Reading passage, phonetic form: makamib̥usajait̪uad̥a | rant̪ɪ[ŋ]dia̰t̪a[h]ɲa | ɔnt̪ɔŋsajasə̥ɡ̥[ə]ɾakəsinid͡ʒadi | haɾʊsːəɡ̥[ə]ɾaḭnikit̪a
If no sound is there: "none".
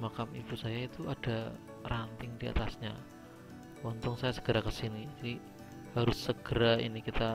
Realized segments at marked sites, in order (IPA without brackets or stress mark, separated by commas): ŋ, s, ə, ə